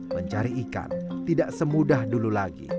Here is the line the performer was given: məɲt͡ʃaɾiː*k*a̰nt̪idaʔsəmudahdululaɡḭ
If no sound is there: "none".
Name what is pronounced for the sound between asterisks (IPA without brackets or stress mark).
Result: k